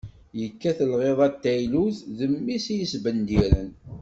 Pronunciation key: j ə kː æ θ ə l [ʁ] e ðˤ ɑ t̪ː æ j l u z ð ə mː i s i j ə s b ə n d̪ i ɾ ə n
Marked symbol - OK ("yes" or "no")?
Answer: yes